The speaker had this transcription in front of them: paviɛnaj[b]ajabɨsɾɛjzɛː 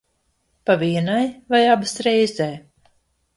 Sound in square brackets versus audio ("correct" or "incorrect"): incorrect